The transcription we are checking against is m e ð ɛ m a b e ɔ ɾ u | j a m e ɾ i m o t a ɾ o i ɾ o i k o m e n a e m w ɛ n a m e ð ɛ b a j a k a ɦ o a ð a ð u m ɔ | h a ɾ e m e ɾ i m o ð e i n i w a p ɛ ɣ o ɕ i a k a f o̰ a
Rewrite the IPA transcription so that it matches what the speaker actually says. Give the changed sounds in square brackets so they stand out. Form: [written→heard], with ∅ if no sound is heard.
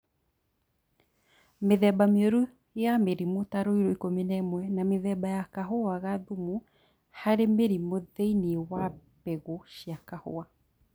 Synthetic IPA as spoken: m e ð ɛ [m→b] a [b→m] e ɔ ɾ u | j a m e ɾ i m o t a ɾ o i ɾ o i k o m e n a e m w ɛ n a m e ð ɛ b a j a k a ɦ o a [ð→ɣ] a ð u m [ɔ→u] | h a ɾ e m e ɾ i m o ð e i n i w a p ɛ ɣ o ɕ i a k a [f→h] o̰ a

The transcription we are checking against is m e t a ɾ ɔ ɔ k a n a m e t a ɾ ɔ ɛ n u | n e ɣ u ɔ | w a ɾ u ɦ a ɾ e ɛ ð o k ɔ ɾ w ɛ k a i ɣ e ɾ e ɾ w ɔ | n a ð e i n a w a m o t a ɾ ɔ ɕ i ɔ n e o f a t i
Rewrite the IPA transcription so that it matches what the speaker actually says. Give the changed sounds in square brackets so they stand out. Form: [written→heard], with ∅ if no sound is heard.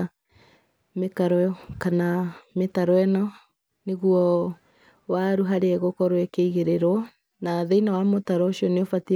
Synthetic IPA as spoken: m e [t→k] a ɾ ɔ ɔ k a n a m e t a ɾ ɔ ɛ n [u→ɔ] | n e ɣ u ɔ | w a ɾ u ɦ a ɾ e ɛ [ð→ɣ] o k ɔ ɾ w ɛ k [a→e] i ɣ e ɾ e ɾ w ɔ | n a ð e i n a w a m o t a ɾ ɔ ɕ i ɔ n e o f a t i

